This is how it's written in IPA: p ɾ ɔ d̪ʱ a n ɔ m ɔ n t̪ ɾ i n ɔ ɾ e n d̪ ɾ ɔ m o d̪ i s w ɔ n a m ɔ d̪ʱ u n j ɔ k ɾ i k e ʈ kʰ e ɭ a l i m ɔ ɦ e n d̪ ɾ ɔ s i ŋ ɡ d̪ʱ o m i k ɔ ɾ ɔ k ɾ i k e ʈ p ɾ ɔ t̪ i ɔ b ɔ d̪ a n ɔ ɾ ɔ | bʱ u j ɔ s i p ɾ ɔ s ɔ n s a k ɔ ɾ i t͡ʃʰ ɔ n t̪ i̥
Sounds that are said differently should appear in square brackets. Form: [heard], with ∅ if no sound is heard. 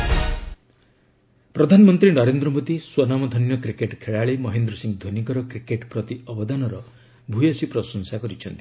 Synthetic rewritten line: p ɾ ɔ d̪ʱ a n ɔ m ɔ n t̪ ɾ i n ɔ ɾ e n d̪ ɾ ɔ m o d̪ i s w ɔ n a m ɔ d̪ʱ [ɔ] n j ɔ k ɾ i k e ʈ kʰ e ɭ a [ɭ] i m ɔ ɦ e n d̪ ɾ ɔ s i ŋ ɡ d̪ʱ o [n] i k ɔ ɾ ɔ k ɾ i k e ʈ p ɾ ɔ t̪ i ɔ b ɔ d̪ a n ɔ ɾ ɔ | bʱ u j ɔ s i p ɾ ɔ s ɔ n s a k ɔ ɾ i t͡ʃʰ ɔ n t̪ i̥

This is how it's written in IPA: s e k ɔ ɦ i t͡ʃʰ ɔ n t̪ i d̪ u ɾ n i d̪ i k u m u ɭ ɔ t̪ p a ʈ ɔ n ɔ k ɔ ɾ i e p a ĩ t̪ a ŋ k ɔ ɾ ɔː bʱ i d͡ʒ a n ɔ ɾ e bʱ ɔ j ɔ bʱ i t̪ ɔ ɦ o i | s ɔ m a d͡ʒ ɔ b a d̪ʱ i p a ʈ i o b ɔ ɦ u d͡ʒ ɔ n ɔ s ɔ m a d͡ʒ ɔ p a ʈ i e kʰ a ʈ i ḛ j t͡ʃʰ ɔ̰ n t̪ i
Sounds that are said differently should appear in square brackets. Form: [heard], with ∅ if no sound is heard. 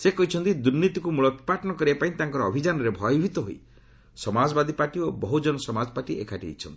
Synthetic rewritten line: s e k ɔ ɦ i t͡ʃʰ ɔ n t̪ i d̪ u ɾ n i [t̪] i k u m u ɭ ɔ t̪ p a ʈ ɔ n ɔ k ɔ ɾ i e p a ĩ t̪ a ŋ k ɔ ɾ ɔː bʱ i d͡ʒ a n ɔ ɾ e bʱ ɔ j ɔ bʱ i t̪ ɔ ɦ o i | s ɔ m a d͡ʒ ɔ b a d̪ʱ i p a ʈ i o b ɔ ɦ u d͡ʒ ɔ n ɔ s ɔ m a d͡ʒ ɔ p a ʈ i e kʰ a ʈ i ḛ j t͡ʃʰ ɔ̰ n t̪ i

